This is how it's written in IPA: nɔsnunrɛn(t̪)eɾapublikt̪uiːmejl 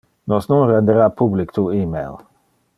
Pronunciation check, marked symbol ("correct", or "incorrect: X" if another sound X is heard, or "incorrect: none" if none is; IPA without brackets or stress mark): incorrect: d̪